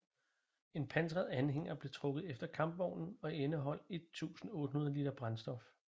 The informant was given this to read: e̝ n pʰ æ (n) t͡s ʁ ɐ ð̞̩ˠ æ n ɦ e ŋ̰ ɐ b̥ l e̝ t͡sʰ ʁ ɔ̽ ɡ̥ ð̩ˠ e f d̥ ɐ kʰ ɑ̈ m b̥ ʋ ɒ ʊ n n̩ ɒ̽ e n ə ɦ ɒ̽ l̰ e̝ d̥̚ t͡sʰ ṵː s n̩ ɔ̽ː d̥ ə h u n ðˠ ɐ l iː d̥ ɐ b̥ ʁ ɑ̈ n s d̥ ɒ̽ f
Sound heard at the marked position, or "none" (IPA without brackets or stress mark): n